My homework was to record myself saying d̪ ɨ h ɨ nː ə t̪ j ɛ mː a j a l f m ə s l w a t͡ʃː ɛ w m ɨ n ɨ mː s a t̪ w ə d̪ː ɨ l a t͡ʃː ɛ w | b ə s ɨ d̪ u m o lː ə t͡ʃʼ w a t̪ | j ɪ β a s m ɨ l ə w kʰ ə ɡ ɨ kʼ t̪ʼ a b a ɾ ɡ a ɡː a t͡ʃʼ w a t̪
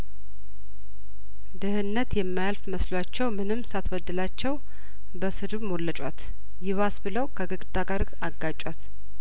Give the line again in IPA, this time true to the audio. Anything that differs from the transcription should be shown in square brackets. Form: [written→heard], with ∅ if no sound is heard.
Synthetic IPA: d̪ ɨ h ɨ nː ə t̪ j ɛ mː a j a l f m ə s l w a t͡ʃː ɛ w m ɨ n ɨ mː s a t̪ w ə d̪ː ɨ l a t͡ʃː ɛ w | b ə s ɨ d̪ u m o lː ə t͡ʃʼ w a t̪ | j ɪ β a s [m→b] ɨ l ə w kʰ ə ɡ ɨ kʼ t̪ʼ a [b→ɡ] a ɾ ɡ a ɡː a t͡ʃʼ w a t̪